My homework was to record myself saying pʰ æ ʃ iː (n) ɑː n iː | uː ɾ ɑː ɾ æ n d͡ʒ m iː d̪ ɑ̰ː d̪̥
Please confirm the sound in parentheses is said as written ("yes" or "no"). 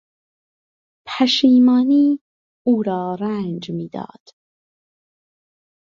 no